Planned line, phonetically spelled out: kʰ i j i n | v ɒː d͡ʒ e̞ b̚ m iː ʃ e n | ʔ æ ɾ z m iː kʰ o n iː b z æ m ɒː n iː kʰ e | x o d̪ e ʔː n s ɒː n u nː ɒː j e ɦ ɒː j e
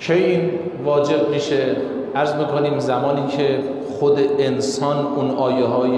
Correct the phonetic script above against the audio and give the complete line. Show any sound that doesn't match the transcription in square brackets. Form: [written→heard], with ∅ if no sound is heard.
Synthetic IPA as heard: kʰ [i→e] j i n | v ɒː d͡ʒ e̞ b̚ m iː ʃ e [n→∅] | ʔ æ ɾ z m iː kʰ o n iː [b→m] z æ m ɒː n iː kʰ e | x o d̪ e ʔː n s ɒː n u [nː→n] ɒː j e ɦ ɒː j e

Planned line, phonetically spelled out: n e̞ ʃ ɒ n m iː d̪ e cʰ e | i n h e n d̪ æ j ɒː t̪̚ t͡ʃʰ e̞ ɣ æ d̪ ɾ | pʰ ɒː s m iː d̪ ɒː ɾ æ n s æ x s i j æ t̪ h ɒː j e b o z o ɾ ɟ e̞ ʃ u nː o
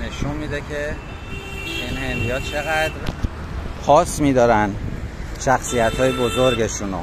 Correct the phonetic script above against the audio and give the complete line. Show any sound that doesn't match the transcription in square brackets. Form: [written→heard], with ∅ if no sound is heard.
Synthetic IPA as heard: n e̞ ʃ [ɒ→u] n m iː d̪ e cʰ e | i n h e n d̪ [æ→i] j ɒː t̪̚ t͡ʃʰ e̞ ɣ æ d̪ ɾ | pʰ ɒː s m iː d̪ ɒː ɾ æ n [s→ʃ] æ x s i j æ t̪ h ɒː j e b o z o ɾ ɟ e̞ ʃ u [nː→n] o

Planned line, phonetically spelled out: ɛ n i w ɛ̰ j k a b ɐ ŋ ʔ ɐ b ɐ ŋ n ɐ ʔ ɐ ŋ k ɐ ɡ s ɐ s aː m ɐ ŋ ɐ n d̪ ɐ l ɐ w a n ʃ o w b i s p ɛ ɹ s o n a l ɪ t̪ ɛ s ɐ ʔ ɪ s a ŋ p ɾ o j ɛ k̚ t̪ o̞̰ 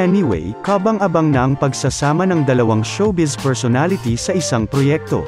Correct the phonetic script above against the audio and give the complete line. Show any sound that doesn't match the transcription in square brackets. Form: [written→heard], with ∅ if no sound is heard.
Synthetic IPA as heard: ɛ n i w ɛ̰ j k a b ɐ ŋ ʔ ɐ b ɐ ŋ n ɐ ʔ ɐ ŋ [k→p] ɐ ɡ s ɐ s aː m ɐ [ŋ→n] ɐ [n→ŋ] d̪ ɐ l ɐ w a [n→ŋ] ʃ o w b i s p ɛ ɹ s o n a l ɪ t̪ [ɛ→i] s ɐ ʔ ɪ s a ŋ p ɾ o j ɛ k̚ t̪ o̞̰

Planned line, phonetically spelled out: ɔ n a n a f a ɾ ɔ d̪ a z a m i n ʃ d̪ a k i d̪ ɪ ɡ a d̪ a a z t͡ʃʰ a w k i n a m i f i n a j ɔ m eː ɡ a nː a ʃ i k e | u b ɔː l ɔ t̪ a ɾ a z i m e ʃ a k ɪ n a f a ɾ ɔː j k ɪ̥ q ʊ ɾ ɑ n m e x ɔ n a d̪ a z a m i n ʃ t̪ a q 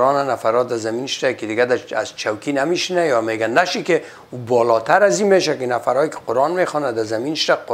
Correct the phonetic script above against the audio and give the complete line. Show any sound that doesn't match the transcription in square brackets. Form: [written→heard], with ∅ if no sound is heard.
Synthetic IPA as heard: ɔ n a n a f a ɾ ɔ d̪ a z a m i n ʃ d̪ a k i d̪ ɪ ɡ a d̪ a a z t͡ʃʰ a w k i n a m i [f→ʃ] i n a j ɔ m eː ɡ a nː a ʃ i k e | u b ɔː l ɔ t̪ a ɾ a z i m e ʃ a k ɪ n a f a ɾ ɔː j k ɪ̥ q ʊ ɾ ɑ n m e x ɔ n a d̪ a z a m i n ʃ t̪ a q

